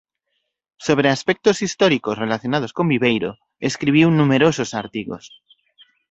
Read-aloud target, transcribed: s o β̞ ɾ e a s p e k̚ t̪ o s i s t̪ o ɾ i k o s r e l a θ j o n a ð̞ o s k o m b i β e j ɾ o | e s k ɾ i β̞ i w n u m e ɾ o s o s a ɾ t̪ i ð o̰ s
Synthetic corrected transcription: s o β̞ ɾ e a s p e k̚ t̪ o s i s t̪ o ɾ i k o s r e l a θ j o n a ð̞ o s k o m b i β e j ɾ o | e s k ɾ i β̞ i w n u m e ɾ o s o s a ɾ t̪ i ɣ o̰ s